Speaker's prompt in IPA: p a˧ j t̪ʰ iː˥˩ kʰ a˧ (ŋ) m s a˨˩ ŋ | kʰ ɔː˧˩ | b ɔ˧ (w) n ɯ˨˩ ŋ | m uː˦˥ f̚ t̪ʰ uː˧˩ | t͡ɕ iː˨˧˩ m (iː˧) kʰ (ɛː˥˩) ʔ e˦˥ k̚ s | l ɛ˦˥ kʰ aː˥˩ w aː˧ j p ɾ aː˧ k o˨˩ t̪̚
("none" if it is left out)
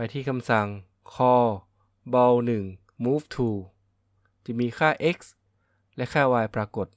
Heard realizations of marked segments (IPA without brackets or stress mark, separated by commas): none, w, iː˧, aː˥˩